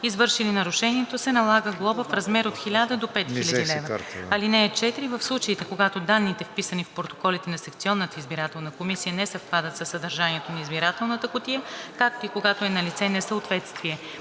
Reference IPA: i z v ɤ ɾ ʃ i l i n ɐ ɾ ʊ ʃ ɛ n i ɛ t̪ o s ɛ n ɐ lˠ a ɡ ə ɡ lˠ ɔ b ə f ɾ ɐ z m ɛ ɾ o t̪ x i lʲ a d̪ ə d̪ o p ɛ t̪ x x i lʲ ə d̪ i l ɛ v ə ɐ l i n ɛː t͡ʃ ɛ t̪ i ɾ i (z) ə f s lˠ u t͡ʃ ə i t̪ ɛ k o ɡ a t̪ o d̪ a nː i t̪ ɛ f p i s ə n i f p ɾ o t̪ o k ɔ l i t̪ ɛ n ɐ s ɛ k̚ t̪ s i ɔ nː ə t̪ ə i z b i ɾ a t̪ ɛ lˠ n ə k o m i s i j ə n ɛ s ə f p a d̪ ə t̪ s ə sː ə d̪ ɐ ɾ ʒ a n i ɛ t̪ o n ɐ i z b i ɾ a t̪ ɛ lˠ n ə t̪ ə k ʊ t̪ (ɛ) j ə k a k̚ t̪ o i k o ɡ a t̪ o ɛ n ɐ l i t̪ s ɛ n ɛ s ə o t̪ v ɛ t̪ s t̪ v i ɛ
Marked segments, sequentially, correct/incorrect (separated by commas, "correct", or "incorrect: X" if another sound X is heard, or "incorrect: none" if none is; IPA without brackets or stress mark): incorrect: v, incorrect: i